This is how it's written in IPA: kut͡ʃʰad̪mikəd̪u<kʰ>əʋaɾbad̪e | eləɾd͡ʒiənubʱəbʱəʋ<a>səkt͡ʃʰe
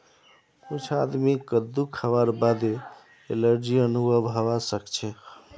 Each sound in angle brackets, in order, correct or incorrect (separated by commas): correct, correct